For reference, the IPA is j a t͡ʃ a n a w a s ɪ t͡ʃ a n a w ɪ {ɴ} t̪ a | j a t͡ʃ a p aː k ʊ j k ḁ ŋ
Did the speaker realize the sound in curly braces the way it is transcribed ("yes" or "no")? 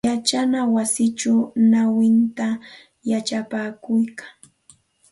no